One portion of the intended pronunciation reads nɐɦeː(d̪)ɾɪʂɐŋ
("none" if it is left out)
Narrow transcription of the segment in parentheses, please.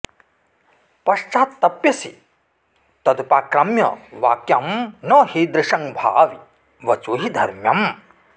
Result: d̪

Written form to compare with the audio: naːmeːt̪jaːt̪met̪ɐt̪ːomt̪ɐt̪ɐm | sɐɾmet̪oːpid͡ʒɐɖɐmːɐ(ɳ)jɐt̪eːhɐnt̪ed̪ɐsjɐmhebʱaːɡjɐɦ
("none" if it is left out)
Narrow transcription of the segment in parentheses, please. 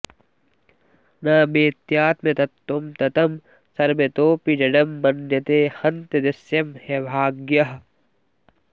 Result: n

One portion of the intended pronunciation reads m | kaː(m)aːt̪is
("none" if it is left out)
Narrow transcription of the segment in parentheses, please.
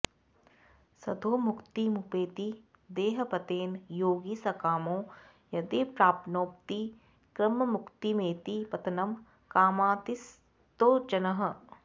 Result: m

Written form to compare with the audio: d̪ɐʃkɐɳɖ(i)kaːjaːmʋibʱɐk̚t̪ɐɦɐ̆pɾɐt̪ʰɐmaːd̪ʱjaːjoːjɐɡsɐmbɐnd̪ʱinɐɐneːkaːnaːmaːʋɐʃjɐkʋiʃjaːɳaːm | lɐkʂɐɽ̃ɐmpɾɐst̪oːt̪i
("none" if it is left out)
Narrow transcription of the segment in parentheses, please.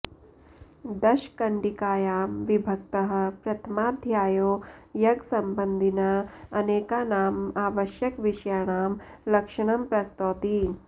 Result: i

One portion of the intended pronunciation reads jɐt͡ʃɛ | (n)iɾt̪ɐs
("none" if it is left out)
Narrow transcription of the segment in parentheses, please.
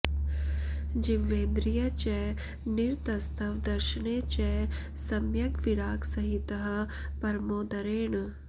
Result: n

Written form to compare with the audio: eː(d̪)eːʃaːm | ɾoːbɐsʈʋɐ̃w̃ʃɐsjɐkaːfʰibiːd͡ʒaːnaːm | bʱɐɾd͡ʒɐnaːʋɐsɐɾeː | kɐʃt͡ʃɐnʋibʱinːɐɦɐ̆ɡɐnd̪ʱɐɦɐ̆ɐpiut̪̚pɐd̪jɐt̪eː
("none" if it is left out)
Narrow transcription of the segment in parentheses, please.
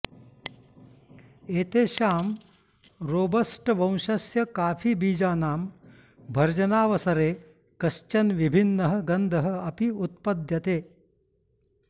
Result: t̪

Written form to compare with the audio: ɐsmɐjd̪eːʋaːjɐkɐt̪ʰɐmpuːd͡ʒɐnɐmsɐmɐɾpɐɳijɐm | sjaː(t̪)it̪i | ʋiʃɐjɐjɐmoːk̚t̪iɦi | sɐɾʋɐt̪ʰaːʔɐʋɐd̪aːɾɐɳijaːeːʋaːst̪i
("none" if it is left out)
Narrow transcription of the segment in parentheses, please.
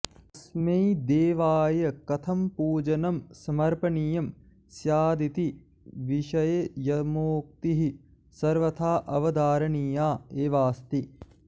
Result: d̪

